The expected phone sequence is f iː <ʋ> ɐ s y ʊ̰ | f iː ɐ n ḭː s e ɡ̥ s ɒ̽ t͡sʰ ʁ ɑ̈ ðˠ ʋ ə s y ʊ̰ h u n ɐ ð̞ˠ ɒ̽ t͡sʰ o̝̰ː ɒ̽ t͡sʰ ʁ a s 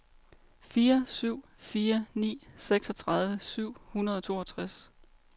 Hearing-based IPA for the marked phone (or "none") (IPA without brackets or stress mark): none